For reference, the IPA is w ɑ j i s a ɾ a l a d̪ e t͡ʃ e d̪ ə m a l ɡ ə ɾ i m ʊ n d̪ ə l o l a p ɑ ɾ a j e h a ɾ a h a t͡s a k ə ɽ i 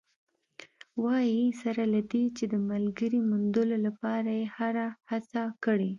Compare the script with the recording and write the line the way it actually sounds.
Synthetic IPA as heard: w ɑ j i s a ɾ a l a d̪ e t͡ʃ e d̪ ə m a l ɡ ə ɾ i m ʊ n d̪ ə l o l a p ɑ ɾ a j e h a ɾ a h a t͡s a k ə ɽ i